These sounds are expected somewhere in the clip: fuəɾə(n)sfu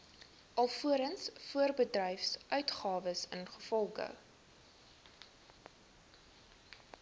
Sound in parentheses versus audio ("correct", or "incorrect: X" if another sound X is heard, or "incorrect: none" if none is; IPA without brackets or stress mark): correct